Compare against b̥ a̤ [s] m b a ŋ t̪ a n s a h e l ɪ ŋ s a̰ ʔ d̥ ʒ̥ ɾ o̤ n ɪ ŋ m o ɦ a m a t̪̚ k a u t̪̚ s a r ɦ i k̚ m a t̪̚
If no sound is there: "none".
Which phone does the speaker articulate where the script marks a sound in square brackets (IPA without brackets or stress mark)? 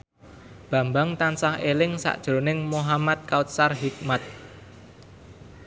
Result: none